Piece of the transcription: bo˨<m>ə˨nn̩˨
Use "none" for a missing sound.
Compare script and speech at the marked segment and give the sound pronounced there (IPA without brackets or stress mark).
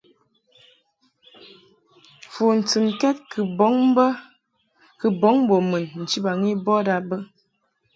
m